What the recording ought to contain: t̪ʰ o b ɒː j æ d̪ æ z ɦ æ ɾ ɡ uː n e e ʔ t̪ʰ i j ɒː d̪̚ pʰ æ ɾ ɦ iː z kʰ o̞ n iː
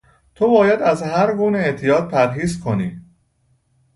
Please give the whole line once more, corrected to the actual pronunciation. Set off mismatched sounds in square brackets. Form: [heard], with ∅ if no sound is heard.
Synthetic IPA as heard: t̪ʰ o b ɒː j æ d̪ æ z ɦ æ ɾ ɡ uː n e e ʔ t̪ʰ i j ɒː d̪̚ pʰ æ ɾ ɦ iː z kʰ o̞ n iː